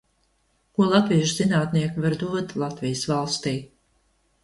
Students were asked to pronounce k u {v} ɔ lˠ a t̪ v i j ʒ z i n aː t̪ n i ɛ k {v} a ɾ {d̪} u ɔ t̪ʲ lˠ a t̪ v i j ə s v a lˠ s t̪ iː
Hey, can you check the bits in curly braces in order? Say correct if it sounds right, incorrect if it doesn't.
incorrect, correct, correct

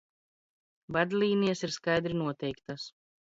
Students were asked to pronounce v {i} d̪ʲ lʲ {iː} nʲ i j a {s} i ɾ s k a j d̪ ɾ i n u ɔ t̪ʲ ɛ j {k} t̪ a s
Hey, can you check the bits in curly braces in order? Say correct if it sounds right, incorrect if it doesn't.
incorrect, correct, correct, correct

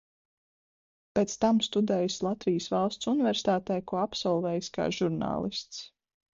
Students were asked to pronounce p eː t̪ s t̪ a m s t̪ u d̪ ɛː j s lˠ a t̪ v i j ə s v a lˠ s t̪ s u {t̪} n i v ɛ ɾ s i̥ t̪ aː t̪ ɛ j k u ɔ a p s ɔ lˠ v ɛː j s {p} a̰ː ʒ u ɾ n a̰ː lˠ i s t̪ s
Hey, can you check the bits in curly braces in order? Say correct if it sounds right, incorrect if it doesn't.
incorrect, incorrect

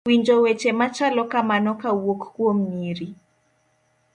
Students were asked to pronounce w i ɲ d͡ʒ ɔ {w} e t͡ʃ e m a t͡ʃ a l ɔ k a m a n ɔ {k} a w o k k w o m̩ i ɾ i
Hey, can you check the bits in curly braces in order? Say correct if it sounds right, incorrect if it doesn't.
correct, correct

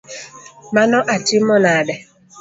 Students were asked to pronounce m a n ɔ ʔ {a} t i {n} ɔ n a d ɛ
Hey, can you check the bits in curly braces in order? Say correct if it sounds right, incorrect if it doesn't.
correct, incorrect

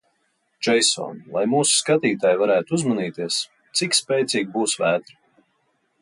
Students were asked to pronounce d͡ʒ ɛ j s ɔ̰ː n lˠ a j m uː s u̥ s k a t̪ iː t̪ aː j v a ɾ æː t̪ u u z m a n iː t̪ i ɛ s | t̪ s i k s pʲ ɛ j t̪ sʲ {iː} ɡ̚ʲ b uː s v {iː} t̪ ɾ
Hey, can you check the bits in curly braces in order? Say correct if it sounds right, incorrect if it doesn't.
correct, incorrect

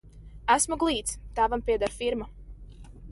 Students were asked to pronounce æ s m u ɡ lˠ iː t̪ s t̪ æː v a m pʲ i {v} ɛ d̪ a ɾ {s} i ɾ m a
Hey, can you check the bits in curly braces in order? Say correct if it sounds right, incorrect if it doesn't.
incorrect, incorrect

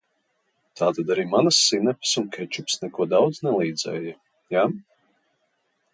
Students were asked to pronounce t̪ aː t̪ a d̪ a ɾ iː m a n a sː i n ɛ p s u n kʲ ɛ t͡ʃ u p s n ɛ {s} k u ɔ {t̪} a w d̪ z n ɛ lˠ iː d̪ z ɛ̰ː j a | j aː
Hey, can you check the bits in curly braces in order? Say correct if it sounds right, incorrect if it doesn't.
incorrect, incorrect

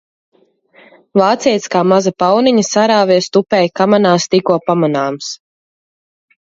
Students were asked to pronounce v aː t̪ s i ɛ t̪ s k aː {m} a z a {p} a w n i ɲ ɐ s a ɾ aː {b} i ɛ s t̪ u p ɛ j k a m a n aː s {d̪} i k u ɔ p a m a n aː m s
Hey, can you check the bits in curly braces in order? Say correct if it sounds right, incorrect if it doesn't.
correct, correct, incorrect, incorrect

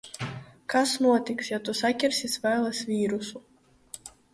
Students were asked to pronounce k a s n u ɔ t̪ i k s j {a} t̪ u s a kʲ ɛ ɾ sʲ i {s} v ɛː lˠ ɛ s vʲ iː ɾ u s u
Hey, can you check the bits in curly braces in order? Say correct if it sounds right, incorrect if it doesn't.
correct, correct

